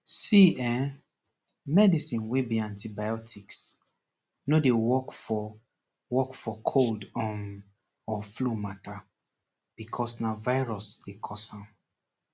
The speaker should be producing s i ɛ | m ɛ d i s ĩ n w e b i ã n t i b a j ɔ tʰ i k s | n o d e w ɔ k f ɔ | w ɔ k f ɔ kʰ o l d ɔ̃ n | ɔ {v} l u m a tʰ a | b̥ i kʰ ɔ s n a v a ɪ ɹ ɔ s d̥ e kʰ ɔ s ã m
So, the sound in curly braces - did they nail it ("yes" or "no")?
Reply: no